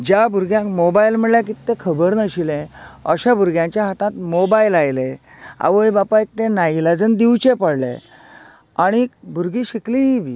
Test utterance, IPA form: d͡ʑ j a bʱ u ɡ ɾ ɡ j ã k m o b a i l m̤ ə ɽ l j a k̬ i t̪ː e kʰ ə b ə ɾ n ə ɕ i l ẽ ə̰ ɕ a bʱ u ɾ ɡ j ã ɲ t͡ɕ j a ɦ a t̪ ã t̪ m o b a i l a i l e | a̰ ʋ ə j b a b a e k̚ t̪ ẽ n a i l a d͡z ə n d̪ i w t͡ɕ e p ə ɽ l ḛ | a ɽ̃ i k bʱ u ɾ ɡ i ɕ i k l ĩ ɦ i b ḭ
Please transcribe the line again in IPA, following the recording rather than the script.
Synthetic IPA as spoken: d͡ʑ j a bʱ u ɾ ɡ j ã k m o b a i l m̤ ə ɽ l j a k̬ i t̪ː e kʰ ə b ə ɾ n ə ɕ i l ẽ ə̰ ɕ a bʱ u ɾ ɡ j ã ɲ t͡ɕ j a ɦ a t̪ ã t̪ m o b a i l a j l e | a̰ ʋ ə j b a p a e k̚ t̪ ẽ n a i l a d͡z ə n d̪ i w t͡ɕ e p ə ɽ l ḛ | a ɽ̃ i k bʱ u ɾ ɡ i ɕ i k l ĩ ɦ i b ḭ